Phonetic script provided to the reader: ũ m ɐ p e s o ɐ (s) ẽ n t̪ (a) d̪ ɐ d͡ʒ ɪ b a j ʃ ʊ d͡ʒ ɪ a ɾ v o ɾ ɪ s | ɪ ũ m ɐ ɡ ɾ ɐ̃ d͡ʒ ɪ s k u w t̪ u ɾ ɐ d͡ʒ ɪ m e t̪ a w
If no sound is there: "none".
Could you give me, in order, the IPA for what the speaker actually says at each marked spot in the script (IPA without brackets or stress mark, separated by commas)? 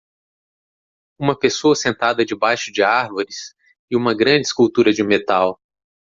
s, a